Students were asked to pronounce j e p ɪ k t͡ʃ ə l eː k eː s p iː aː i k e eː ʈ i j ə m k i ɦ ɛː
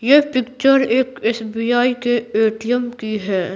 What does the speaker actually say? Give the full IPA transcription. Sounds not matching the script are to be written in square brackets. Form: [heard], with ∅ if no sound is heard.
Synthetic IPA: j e p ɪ k t͡ʃ ə [ɾ] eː k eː s [b] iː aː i k e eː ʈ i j ə m k i ɦ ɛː